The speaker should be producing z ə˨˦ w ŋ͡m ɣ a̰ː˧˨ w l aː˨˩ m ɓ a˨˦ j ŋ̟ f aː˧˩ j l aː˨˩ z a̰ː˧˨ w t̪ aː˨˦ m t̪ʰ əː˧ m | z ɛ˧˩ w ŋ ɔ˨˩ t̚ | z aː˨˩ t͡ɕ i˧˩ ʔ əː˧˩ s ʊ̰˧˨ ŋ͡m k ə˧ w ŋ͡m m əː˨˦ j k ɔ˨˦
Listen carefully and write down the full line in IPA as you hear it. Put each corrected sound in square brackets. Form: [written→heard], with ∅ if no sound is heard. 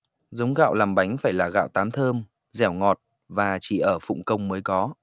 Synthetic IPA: z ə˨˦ w ŋ͡m ɣ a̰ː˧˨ w l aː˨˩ m ɓ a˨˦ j ŋ̟ f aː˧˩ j l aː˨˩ [z→ɣ] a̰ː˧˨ w t̪ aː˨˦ m t̪ʰ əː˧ m | z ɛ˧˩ w ŋ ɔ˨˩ t̚ | [z→v] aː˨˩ t͡ɕ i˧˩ ʔ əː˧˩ [s→f] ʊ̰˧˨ ŋ͡m k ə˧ w ŋ͡m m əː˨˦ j k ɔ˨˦